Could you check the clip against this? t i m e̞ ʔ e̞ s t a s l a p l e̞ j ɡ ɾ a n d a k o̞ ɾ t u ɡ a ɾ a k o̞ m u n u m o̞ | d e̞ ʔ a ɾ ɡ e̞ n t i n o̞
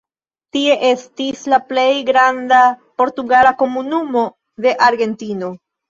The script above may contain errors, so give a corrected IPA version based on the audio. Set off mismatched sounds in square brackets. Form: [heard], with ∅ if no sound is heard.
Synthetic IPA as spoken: t i [∅] e̞ ʔ e̞ s t [i] s l a p l e̞ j ɡ ɾ a n d a [p] o̞ ɾ t u ɡ a [l] a k o̞ m u n u m o̞ | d e̞ ʔ a ɾ ɡ e̞ n t i n o̞